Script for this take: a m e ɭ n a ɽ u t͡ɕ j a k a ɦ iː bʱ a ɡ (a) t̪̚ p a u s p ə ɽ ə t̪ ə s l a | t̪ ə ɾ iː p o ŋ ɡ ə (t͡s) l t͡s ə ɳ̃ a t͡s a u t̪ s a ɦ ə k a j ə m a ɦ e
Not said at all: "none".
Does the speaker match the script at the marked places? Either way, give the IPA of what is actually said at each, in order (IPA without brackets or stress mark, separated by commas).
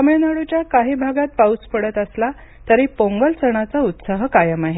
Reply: a, none